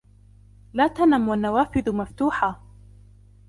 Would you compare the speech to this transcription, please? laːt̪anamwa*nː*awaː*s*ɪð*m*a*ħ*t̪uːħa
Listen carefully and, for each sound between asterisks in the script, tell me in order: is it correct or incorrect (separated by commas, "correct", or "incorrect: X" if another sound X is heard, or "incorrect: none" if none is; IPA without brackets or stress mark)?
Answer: correct, incorrect: f, correct, incorrect: f